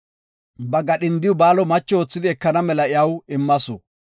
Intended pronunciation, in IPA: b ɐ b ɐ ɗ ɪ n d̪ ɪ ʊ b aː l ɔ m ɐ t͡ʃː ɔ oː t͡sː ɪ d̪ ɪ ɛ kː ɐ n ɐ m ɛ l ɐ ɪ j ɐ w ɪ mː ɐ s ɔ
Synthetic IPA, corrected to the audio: b ɐ ɡ ɐ ɗ ɪ n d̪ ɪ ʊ b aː l ɔ m ɐ t͡ʃː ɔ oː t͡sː ɪ d̪ ɪ ɛ kː ɐ n ɐ m ɛ l ɐ ɪ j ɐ w ɪ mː ɐ s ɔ